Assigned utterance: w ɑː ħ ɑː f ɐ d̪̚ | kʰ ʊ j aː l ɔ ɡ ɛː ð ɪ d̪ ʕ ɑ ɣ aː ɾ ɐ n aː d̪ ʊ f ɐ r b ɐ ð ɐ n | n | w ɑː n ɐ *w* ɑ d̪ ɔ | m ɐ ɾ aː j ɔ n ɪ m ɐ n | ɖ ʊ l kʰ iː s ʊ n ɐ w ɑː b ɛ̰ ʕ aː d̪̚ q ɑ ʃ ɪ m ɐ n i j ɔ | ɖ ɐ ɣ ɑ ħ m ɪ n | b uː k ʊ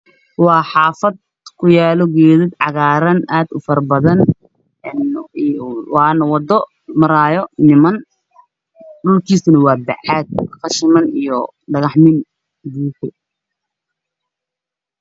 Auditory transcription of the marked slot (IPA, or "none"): w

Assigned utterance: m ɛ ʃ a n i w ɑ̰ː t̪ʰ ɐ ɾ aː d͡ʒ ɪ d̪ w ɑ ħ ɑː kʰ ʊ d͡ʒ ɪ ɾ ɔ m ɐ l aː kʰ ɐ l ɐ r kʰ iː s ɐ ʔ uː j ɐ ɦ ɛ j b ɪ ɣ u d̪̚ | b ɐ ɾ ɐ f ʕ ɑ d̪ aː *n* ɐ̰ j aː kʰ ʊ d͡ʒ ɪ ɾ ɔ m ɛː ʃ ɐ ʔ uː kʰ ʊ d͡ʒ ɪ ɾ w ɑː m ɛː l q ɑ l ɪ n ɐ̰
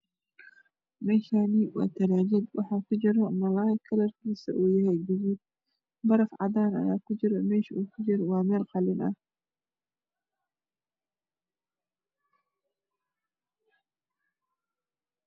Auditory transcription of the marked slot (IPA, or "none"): n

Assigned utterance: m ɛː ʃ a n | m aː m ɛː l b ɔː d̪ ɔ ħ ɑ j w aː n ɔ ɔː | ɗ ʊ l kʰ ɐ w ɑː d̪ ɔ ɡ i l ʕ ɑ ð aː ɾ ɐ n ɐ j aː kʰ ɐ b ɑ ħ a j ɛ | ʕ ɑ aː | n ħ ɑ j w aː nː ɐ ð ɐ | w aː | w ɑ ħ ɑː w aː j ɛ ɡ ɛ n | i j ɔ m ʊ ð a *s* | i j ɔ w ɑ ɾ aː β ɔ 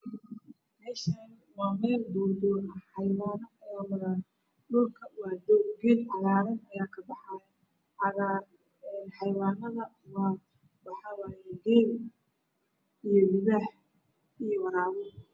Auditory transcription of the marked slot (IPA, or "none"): ħ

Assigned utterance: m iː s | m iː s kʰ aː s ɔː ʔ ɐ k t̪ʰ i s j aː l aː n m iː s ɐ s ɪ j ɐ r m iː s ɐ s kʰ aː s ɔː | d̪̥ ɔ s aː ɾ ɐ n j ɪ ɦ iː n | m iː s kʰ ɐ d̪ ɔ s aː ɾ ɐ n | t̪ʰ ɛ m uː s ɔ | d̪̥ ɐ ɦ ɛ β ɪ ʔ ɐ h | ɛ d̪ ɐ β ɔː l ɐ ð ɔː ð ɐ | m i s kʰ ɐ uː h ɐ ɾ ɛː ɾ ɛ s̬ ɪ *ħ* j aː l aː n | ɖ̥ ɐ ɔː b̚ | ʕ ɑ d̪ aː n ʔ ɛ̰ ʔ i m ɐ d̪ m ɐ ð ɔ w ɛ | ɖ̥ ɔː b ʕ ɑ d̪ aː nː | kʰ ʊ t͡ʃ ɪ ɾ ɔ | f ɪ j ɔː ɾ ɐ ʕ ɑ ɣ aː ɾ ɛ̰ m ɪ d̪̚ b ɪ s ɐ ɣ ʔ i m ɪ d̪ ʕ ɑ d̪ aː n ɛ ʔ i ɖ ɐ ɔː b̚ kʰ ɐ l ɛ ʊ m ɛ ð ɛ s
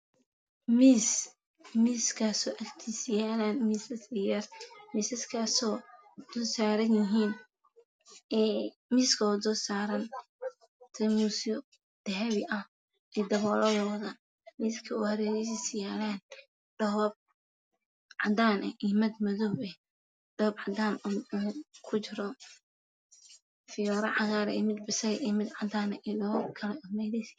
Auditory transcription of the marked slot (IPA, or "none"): s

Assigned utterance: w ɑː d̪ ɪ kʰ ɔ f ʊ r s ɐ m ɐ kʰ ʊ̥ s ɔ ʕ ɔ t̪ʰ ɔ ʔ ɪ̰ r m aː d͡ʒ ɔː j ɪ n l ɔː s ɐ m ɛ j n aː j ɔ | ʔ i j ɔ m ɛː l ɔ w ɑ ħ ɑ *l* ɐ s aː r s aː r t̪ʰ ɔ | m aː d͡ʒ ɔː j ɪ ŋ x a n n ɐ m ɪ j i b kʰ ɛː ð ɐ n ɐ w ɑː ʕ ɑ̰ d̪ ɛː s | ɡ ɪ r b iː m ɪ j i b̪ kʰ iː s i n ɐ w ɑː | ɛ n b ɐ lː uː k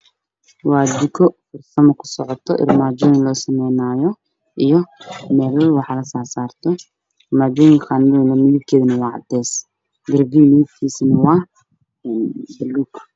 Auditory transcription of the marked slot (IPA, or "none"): l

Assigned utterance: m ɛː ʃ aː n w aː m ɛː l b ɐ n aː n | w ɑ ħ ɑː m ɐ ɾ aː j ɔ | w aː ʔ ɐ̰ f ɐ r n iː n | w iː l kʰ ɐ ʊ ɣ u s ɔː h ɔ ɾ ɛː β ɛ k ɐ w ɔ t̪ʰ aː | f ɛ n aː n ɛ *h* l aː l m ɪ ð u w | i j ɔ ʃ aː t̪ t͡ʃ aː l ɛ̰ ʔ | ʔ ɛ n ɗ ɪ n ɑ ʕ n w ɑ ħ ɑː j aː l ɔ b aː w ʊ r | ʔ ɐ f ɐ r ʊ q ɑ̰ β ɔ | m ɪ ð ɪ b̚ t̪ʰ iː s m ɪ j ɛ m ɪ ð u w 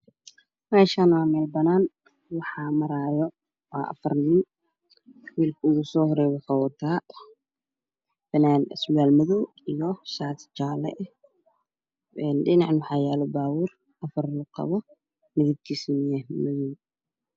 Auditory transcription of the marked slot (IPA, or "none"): s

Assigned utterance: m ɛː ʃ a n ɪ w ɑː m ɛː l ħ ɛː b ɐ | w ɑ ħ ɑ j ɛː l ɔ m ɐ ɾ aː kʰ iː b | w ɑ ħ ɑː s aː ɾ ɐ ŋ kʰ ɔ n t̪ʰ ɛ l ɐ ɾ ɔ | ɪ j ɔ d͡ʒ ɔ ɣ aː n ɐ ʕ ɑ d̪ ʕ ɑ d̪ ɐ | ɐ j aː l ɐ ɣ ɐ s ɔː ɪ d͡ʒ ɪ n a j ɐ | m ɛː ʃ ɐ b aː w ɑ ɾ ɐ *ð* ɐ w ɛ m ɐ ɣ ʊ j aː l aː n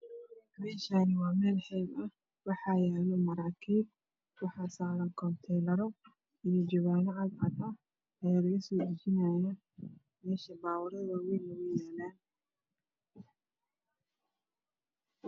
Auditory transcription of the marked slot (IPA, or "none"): ð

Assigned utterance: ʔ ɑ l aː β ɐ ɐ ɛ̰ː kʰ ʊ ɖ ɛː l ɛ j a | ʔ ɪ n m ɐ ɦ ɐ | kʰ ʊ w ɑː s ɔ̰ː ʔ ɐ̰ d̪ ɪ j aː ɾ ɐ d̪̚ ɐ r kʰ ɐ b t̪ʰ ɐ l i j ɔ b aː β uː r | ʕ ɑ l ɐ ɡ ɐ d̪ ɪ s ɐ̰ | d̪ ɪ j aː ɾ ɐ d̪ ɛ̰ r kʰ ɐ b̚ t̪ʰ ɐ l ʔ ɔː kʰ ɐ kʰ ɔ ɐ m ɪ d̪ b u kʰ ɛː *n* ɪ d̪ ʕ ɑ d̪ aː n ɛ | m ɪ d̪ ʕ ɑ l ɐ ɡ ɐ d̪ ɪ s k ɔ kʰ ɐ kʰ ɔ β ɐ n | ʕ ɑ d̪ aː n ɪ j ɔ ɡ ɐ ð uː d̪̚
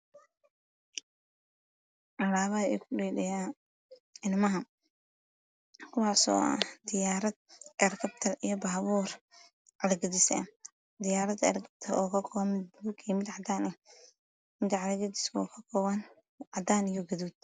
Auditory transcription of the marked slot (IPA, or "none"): m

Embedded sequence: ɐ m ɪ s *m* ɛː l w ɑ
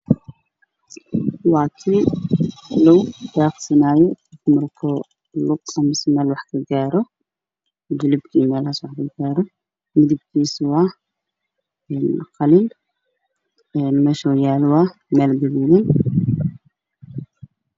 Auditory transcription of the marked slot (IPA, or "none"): m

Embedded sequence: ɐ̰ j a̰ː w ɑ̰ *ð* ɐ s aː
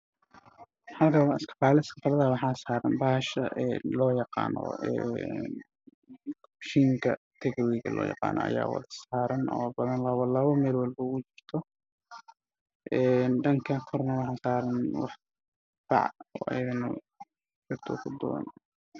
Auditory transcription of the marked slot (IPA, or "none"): ð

